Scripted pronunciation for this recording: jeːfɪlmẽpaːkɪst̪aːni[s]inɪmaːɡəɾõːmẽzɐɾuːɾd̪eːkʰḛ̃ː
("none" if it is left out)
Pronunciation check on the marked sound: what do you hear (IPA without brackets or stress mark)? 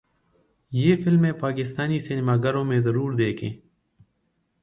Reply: s